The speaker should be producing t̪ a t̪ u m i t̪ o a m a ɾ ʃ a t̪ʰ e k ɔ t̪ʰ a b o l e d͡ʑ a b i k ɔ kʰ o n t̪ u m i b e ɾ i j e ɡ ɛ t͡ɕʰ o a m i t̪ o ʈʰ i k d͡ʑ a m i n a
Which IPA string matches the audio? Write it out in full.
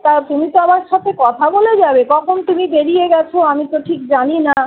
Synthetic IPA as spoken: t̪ a t̪ u m i t̪ o a m a ɾ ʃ a t̪ʰ e k ɔ t̪ʰ a b o l e d͡ʑ a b e k ɔ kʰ o n t̪ u m i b e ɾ i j e ɡ ɛ t͡ɕʰ o a m i t̪ o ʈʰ i k d͡ʑ a n i n a